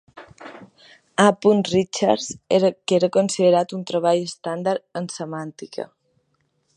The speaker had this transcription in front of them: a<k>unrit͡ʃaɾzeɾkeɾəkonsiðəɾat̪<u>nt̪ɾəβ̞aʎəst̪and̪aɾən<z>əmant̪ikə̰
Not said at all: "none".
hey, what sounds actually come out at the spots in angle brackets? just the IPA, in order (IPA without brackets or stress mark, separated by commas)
p, u, s